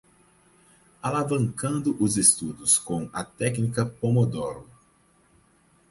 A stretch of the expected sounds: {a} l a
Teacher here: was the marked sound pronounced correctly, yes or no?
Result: yes